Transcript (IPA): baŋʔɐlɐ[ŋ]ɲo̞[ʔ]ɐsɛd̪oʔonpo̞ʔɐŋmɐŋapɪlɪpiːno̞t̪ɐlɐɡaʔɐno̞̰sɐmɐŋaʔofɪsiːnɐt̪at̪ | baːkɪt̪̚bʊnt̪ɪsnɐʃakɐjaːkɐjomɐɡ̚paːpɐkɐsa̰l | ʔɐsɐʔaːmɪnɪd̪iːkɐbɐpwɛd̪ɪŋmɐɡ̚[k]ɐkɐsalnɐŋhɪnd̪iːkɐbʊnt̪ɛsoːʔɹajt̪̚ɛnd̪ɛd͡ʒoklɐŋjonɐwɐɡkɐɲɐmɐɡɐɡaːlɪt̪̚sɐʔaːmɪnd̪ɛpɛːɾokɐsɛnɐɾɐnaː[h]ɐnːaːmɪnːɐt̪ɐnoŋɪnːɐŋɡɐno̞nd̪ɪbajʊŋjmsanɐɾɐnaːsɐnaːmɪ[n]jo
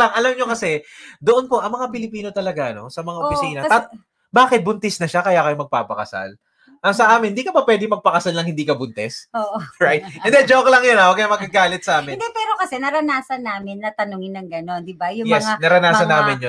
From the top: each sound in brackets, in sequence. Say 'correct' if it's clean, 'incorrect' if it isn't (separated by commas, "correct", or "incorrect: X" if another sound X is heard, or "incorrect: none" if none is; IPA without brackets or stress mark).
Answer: incorrect: m, incorrect: k, incorrect: p, incorrect: s, correct